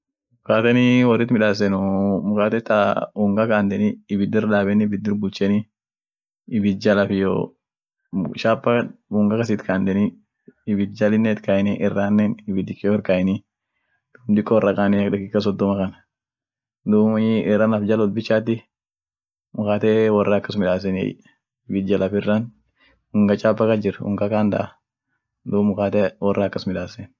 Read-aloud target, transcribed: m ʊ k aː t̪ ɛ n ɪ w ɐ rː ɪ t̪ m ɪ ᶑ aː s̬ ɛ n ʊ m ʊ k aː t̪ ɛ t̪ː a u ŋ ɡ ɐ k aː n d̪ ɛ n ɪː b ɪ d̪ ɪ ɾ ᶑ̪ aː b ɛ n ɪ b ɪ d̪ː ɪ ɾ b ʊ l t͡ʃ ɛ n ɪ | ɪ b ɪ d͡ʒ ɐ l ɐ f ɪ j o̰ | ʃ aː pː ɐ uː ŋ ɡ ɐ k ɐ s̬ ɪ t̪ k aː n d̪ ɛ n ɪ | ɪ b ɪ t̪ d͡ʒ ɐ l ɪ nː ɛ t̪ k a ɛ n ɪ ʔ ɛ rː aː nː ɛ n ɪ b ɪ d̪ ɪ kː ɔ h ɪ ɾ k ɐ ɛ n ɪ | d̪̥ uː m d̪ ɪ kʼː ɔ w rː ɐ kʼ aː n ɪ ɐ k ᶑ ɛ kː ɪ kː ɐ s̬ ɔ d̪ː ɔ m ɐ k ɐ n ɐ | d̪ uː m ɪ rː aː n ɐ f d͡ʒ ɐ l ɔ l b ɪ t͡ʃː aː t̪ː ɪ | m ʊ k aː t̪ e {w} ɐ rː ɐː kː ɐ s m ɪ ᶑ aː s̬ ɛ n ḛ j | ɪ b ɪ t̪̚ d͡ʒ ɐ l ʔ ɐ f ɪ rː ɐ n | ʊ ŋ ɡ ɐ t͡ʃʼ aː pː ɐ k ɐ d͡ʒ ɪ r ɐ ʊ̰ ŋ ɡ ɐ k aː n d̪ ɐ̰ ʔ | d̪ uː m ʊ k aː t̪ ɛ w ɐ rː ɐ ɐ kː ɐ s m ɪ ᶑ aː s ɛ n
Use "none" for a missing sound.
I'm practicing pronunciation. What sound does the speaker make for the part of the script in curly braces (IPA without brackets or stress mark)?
w